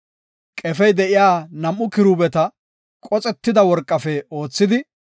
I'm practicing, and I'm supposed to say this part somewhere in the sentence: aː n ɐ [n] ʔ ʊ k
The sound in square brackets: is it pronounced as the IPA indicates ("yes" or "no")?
no